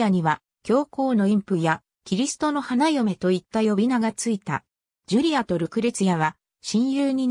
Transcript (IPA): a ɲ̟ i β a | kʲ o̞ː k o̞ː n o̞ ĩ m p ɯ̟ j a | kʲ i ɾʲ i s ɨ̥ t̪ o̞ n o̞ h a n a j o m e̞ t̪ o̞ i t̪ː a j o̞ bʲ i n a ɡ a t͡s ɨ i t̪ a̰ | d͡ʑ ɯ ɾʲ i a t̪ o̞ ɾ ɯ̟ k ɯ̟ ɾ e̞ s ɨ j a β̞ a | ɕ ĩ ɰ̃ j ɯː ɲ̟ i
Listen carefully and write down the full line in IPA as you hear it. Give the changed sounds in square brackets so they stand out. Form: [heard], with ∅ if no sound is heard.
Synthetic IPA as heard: a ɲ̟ i β a | kʲ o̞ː k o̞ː n o̞ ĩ m p ɯ̟ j a | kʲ i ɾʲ i s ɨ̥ t̪ o̞ n o̞ h a n a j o m e̞ t̪ o̞ i t̪ː a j o̞ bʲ i n a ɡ a t͡s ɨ i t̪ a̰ | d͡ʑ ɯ ɾʲ i a t̪ o̞ ɾ ɯ̟ k ɯ̟ ɾ e̞ [t͡s] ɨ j a β̞ a | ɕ ĩ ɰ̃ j ɯː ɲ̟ i